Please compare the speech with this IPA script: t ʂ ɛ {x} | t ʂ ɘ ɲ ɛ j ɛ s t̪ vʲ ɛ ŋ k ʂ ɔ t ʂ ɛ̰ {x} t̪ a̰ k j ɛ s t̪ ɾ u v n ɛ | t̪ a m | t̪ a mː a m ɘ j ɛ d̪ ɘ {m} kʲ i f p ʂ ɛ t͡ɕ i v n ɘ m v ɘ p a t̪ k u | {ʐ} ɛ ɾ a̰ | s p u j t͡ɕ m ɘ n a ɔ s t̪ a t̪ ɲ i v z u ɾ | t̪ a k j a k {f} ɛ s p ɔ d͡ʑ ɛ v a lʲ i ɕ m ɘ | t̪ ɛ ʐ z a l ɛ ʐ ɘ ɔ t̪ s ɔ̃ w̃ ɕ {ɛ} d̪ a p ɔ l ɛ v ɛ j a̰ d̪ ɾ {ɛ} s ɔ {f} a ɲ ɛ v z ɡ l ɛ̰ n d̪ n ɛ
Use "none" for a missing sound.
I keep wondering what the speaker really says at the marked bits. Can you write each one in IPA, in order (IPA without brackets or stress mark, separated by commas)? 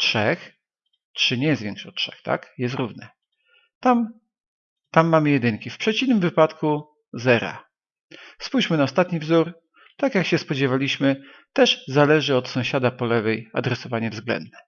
x, x, ŋ, z, ɕ, a, ɛ, v